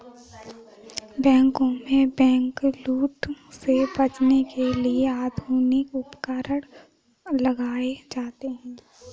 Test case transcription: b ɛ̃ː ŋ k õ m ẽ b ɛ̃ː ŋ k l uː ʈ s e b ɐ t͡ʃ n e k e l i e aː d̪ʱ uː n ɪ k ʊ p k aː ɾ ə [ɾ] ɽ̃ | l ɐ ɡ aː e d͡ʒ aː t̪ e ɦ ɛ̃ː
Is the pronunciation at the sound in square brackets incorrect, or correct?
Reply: incorrect